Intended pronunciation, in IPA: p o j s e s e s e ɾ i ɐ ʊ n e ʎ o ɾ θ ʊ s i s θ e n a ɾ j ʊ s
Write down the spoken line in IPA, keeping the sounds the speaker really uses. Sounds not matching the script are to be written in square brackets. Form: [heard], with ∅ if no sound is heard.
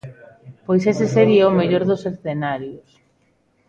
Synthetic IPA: p o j s e s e s e ɾ i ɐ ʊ [m] e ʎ o ɾ [ð] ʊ s [e] s θ e n a ɾ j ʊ s